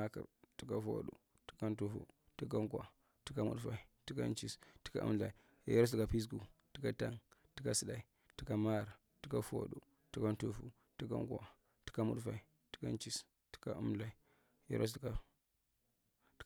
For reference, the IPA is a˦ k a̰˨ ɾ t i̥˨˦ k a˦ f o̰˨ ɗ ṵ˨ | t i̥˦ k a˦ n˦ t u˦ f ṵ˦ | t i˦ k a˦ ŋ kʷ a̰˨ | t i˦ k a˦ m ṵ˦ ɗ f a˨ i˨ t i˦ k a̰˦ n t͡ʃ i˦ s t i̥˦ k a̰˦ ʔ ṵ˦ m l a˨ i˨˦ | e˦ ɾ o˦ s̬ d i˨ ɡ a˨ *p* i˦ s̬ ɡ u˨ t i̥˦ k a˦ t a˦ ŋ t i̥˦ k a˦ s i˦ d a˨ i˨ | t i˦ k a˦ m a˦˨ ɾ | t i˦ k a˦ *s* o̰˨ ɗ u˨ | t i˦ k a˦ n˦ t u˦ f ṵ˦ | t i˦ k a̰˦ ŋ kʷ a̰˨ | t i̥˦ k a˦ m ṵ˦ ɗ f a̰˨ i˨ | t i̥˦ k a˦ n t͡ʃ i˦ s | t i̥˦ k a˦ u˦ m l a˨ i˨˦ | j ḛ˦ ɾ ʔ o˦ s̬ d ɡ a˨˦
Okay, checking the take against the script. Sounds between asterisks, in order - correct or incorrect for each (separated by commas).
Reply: correct, incorrect